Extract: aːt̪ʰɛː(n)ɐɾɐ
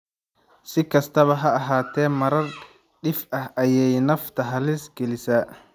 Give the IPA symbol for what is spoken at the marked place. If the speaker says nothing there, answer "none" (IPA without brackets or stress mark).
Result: m